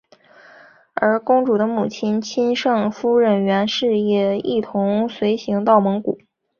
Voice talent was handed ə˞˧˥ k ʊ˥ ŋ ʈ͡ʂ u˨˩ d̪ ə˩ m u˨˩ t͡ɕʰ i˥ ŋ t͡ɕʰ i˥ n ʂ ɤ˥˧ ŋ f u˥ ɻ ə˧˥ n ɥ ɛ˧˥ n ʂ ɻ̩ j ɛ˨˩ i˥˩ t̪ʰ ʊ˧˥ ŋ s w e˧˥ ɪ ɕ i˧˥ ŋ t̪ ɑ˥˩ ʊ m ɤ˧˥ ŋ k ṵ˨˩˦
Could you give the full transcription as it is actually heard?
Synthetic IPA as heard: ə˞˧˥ k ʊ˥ ŋ ʈ͡ʂ u˨˩ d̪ ə˦ m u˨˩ t͡ɕʰ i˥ n t͡ɕʰ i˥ n ʂ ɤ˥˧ ŋ f u˥ ɻ ə˨˩ n ɥ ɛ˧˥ n ʂ ɻ̩ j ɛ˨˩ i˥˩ t̪ʰ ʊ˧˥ ŋ s w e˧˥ ɪ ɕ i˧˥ ŋ t̪ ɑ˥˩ ʊ m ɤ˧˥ ŋ k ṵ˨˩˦